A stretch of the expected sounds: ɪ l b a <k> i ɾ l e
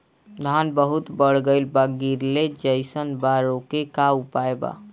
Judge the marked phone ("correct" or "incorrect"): incorrect